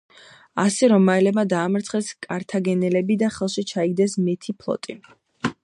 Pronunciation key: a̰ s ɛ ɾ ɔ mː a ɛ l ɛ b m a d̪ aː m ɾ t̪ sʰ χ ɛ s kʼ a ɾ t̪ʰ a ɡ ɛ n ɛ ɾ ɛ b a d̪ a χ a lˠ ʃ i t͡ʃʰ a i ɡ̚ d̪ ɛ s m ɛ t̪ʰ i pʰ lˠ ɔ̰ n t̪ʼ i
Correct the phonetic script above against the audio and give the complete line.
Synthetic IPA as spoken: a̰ s ɛ ɾ ɔ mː a ɛ l ɛ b m a d̪ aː m ɾ t̪ sʰ χ ɛ s kʼ a ɾ t̪ʰ a ɡ ɛ n ɛ l ɛ b i d̪ a χ ɛ lˠ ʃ i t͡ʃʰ a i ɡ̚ d̪ ɛ s m ɛ t̪ʰ i pʰ lˠ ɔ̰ t̪ʼ i